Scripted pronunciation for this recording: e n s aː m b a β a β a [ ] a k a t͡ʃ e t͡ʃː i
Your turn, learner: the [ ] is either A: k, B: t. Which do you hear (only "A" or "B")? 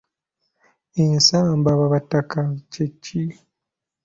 B